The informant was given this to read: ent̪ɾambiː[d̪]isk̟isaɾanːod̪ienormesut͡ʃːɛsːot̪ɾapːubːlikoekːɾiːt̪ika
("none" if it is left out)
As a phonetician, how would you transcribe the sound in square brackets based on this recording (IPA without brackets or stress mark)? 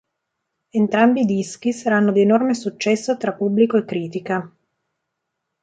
d̪